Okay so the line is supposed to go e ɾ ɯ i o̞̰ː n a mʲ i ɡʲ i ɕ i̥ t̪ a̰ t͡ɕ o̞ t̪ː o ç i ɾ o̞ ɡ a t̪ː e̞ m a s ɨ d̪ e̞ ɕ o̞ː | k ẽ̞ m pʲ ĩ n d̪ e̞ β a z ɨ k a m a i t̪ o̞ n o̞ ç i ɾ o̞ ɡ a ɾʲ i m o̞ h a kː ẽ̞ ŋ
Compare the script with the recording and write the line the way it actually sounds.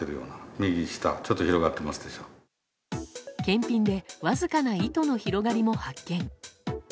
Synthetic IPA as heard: e ɾ ɯ j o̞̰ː n a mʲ i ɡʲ i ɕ i̥ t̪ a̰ t͡ɕ o̞ t̪ː o ç i ɾ o̞ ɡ a t̪ː e̞ m a s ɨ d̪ e̞ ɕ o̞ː | k ẽ̞ m pʲ ĩ n d̪ e̞ β a z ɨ k a n a i t̪ o̞ n o̞ ç i ɾ o̞ ɡ a ɾʲ i m o̞ h a kː ẽ̞ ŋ